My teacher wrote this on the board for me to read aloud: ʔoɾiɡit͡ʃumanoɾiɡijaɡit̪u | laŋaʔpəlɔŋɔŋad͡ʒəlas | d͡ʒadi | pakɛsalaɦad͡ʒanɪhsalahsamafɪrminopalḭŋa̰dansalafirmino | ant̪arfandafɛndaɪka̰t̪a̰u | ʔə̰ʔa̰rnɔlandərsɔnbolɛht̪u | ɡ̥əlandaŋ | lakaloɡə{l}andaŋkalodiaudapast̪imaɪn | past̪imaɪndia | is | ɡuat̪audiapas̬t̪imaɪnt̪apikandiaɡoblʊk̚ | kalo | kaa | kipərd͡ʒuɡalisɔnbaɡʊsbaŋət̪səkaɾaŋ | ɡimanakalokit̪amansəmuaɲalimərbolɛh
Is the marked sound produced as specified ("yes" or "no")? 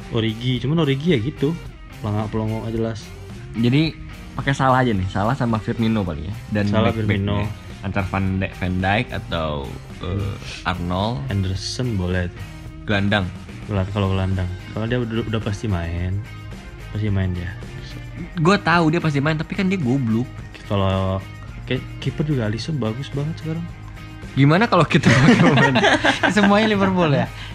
yes